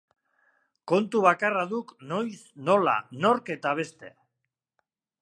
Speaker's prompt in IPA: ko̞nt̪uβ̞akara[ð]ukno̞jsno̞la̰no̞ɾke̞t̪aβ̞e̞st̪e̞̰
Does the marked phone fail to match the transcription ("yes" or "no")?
no